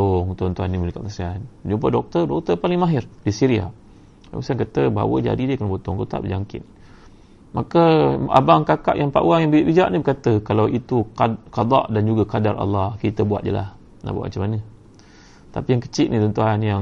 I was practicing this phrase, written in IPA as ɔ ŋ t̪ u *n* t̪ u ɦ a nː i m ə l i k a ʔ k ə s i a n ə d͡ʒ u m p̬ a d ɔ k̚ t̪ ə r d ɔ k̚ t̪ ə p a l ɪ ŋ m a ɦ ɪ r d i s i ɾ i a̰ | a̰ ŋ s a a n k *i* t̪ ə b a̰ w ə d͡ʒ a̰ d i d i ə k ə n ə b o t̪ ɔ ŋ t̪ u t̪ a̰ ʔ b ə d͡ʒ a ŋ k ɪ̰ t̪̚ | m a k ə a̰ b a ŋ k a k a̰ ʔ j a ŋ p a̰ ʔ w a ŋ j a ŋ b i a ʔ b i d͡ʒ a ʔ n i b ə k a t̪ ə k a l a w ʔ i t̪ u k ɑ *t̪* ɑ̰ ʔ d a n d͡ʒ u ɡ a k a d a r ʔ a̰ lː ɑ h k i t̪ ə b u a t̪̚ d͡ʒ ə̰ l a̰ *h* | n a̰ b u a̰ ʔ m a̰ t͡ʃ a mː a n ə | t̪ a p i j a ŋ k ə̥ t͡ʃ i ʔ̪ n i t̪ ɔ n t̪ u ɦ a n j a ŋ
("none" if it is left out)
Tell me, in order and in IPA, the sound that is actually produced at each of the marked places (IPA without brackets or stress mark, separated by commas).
n, a, d̪, h